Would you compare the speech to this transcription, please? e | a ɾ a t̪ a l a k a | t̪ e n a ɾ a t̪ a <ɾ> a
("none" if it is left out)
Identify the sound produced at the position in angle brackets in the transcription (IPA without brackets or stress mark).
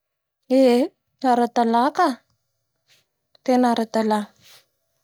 l